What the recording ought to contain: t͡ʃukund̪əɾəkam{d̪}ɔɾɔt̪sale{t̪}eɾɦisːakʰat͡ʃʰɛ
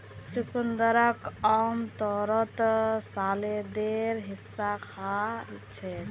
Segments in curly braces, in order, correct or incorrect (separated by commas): incorrect, incorrect